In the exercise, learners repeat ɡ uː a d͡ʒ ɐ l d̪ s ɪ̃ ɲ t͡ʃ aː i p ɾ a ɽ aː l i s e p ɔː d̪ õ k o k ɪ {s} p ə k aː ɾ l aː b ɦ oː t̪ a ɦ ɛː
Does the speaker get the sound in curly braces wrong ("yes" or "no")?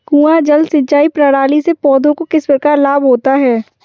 no